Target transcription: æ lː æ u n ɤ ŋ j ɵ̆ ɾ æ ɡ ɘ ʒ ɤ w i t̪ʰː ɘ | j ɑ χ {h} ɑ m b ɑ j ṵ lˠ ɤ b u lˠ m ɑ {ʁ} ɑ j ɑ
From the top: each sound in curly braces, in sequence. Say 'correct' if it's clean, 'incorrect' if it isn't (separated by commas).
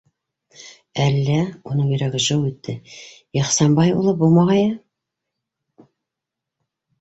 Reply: incorrect, correct